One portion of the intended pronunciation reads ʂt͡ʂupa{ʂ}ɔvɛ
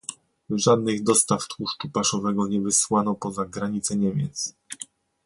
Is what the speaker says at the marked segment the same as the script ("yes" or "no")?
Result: yes